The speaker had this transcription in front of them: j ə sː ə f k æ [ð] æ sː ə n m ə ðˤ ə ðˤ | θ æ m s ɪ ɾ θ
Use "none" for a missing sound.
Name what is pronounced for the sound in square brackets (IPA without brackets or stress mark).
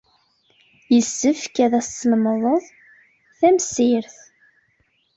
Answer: ð